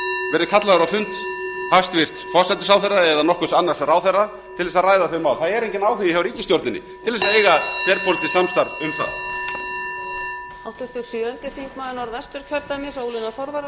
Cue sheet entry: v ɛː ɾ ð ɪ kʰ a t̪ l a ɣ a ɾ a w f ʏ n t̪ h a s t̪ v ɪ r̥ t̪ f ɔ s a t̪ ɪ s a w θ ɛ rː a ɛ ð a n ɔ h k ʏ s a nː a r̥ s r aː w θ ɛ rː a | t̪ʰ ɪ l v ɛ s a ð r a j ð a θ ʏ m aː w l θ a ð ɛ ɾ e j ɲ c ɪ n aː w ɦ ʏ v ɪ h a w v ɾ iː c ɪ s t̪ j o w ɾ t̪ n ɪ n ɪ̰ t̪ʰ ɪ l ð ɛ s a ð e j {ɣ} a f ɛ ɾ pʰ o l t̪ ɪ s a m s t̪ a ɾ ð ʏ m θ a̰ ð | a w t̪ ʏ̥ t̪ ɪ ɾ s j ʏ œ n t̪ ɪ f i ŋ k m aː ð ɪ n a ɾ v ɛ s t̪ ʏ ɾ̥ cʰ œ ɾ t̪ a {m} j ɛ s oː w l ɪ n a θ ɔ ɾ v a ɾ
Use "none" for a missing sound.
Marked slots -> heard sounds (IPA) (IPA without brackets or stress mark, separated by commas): ɣ, m